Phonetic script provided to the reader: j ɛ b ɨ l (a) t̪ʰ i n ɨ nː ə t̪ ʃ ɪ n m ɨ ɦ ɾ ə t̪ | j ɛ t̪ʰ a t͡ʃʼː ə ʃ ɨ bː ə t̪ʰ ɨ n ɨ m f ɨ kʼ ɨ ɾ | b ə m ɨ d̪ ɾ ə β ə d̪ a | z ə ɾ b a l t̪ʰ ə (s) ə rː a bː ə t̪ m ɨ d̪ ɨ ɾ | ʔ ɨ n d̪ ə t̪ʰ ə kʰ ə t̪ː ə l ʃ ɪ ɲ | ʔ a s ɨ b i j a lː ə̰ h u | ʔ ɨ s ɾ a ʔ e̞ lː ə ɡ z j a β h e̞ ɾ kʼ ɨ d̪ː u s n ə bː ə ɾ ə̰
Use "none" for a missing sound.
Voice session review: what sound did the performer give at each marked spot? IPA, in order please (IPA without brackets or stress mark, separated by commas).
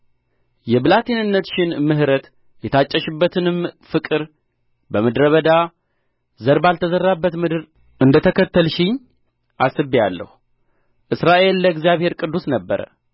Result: a, z